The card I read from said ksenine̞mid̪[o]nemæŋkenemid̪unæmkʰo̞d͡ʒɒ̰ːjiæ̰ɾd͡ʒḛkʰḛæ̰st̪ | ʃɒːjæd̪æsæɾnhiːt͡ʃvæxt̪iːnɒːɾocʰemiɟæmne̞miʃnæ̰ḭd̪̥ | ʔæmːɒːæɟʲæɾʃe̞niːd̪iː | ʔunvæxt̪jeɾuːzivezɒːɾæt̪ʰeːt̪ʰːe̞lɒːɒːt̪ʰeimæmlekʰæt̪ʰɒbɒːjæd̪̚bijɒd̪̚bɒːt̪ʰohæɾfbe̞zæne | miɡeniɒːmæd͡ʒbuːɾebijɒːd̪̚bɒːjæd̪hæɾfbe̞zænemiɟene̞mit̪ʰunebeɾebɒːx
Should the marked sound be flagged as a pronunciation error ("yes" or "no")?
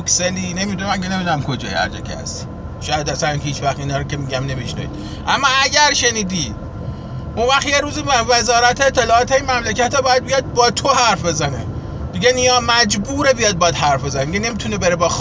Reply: yes